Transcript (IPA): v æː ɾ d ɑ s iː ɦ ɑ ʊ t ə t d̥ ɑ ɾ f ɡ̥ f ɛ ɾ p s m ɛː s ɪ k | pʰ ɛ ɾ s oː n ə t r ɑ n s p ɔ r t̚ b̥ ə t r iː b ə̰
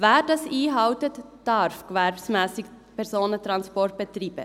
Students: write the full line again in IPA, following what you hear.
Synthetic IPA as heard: v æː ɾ d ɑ s iː ɦ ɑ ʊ t ə t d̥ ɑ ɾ f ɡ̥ v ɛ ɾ p s m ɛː s ɪ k | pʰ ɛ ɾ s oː n ə t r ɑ n s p ɔ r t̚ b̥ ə t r iː b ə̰